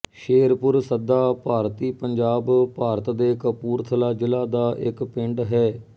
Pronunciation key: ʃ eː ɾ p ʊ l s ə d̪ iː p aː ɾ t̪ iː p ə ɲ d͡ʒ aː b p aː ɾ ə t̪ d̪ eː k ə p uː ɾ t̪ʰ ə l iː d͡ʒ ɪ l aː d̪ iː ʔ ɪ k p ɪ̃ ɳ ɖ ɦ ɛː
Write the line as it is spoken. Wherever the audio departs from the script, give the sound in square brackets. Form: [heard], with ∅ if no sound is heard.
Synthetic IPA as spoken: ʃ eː ɾ p ʊ [ɾ] s ə d̪ [aː] p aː ɾ t̪ iː p ə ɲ d͡ʒ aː b p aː ɾ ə t̪ d̪ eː k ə p uː ɾ t̪ʰ ə l [aː] d͡ʒ ɪ l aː d̪ [aː] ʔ ɪ k p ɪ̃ ɳ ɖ ɦ ɛː